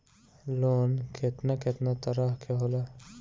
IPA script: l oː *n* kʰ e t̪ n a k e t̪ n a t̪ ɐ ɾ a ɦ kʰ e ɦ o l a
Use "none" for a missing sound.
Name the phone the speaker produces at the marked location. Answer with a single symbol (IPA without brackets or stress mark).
n